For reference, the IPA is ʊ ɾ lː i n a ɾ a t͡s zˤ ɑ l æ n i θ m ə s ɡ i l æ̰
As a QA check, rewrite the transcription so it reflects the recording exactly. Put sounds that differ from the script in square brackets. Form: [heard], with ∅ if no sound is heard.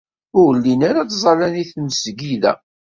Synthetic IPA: ʊ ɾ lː i n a ɾ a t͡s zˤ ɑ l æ n i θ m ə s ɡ i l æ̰

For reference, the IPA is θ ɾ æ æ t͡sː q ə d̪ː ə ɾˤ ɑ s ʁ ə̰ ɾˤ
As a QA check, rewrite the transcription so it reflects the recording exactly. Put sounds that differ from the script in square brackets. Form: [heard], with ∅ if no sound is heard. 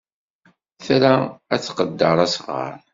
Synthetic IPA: θ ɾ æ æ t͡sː q ə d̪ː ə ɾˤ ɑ s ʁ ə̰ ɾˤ

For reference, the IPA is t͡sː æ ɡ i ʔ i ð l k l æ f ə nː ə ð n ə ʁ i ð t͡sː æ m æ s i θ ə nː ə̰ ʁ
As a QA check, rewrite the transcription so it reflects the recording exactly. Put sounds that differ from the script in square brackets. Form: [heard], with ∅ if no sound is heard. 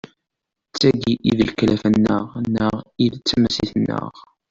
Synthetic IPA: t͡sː æ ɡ i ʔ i ð l k l æ f ə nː ə [ʁ] n ə ʁ i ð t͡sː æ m æ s i θ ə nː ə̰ ʁ

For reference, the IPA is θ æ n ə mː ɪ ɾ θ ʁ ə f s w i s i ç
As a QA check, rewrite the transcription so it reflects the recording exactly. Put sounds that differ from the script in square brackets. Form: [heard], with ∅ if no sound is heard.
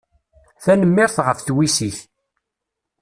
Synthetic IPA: θ æ n ə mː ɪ ɾ θ ʁ ə f [θ] w i s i ç

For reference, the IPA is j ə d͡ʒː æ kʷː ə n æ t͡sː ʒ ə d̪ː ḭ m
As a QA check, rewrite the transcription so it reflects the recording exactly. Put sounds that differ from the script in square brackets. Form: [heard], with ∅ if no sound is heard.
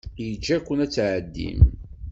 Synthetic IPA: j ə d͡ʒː æ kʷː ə n æ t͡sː [ʕ] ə d̪ː ḭ m

